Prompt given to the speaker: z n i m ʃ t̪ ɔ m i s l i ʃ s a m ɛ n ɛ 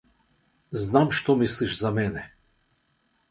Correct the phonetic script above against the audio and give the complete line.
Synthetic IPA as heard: z n a m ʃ t̪ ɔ m i s l i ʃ z a m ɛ n ɛ